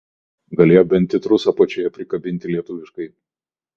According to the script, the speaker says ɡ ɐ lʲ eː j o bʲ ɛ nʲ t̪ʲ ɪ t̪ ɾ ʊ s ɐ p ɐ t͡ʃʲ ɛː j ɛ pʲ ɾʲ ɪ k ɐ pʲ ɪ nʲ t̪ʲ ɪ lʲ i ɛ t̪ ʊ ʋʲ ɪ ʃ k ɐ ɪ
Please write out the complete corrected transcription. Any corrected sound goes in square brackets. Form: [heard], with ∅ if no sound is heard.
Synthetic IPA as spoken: ɡ ɐ lʲ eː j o bʲ ɛ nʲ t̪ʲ ɪ t̪ ɾ ʊ s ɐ p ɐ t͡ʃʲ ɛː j ɛ pʲ ɾʲ ɪ k ɐ [bʲ] ɪ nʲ t̪ʲ ɪ lʲ i ɛ t̪ ʊ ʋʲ ɪ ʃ k ɐ ɪ